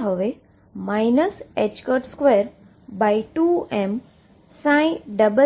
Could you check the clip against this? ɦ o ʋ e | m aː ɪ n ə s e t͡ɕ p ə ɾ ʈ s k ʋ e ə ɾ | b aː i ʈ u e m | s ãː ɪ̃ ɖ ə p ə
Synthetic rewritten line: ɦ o ʋ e | m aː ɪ n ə s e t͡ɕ k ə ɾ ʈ s k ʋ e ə ɾ | b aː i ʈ u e m | s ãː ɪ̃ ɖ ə b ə